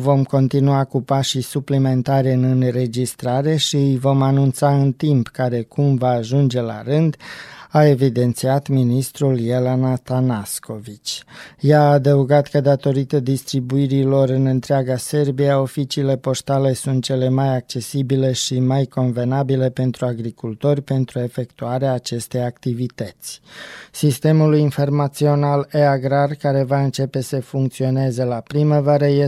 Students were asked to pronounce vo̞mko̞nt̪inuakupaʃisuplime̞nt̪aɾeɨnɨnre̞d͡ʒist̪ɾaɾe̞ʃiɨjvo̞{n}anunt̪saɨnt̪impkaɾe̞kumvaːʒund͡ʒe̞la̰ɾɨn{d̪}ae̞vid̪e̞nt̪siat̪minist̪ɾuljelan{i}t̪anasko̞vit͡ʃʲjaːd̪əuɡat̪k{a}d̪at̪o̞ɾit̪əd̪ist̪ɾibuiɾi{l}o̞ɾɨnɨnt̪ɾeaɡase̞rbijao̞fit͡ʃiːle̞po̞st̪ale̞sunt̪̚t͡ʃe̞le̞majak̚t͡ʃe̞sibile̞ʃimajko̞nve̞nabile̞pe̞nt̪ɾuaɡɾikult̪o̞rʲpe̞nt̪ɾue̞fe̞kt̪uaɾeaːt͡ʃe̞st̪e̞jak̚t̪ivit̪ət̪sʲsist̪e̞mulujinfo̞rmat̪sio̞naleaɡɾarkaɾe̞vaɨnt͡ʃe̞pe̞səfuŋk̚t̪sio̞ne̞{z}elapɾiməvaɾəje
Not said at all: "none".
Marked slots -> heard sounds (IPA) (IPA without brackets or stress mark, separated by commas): m, d̪, a, ə, l, z